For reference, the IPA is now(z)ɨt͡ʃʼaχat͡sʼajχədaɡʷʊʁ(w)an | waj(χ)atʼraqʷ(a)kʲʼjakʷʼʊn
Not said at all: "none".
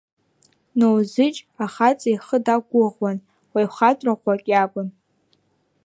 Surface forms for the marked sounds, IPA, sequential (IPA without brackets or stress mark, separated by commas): z, w, χ, a